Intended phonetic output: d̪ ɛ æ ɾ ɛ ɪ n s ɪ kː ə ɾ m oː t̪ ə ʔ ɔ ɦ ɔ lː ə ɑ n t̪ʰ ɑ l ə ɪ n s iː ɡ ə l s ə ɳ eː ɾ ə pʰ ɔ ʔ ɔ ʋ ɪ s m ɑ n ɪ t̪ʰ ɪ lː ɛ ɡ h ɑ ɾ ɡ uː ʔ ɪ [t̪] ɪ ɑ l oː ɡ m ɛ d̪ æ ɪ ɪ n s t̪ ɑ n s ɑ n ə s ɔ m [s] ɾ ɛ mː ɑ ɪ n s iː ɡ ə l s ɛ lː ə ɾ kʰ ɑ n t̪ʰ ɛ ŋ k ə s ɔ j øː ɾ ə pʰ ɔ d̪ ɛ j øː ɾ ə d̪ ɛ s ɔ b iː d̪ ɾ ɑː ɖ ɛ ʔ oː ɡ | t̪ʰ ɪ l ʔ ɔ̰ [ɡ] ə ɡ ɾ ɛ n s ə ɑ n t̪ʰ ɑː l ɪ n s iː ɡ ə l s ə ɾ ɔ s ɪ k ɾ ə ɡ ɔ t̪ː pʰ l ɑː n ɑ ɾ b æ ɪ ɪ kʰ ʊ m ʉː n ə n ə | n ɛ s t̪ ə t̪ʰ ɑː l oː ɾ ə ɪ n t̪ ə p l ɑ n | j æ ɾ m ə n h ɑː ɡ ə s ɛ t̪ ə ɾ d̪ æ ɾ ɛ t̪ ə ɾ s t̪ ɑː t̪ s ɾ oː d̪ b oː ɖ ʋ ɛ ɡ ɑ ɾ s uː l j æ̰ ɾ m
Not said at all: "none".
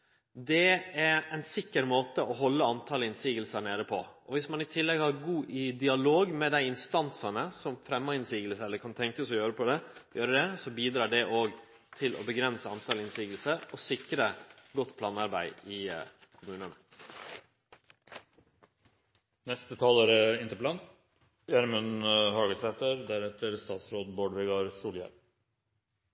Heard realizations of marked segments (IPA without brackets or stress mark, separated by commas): d̪, f, b